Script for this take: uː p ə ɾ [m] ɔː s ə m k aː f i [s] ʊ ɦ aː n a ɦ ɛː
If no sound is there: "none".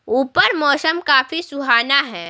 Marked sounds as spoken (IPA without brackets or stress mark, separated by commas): m, s